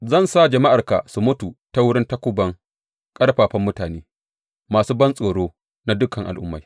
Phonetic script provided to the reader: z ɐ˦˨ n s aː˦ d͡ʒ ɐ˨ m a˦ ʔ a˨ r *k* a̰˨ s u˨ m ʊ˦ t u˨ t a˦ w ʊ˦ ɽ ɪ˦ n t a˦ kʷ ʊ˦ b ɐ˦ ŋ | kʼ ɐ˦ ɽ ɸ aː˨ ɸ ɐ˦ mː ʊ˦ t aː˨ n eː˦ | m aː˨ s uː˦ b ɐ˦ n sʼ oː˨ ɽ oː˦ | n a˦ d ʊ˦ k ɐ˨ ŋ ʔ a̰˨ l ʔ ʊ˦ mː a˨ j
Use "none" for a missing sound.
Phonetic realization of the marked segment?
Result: k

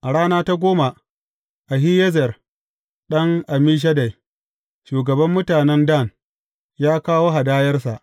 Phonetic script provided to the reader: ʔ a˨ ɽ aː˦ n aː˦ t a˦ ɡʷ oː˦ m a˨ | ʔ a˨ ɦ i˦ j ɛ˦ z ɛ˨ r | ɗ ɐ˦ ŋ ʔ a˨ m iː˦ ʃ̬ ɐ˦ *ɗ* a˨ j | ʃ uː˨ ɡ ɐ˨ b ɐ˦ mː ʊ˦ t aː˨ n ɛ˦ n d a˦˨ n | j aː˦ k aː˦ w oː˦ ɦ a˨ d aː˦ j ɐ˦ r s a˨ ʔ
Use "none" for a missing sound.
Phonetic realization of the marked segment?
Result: d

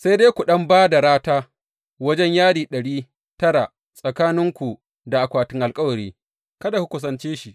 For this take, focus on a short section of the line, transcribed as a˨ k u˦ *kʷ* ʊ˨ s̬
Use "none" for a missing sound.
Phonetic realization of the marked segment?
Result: kʷ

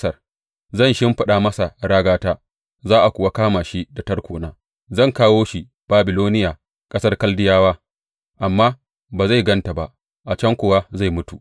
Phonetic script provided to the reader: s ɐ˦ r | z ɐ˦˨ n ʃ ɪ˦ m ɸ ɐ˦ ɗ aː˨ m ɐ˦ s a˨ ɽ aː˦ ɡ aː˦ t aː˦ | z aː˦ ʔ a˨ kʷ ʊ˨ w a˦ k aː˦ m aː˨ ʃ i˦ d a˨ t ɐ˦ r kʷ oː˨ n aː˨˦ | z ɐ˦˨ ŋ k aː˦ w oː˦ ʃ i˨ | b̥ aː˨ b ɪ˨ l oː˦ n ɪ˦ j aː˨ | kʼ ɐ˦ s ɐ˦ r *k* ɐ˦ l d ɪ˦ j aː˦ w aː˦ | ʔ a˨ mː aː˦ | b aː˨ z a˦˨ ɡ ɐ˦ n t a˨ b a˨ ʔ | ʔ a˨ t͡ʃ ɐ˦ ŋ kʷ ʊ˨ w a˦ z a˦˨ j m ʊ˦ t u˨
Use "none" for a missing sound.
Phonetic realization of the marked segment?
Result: k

